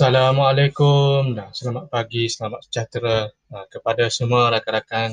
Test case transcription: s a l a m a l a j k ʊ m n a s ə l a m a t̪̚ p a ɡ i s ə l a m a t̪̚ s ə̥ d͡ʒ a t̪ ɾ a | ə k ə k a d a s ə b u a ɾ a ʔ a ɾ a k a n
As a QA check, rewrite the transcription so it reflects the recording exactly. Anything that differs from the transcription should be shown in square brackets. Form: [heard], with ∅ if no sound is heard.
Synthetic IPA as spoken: s a l a m a l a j k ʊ m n a s ə l a m a t̪̚ p a ɡ i s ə l a m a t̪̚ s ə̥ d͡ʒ a t̪ ɾ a | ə k ə [p] a d a s ə [m] u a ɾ a [k] a ɾ a k a n